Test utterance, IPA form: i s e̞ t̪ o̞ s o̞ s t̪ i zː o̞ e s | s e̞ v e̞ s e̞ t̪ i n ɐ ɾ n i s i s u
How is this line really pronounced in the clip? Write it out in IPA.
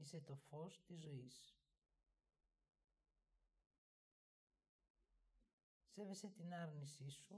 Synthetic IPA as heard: i s e̞ t̪ o̞ f o̞ s t̪ i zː o̞ i s | s e̞ v e̞ s e̞ t̪ i n ɐ ɾ n i s i s u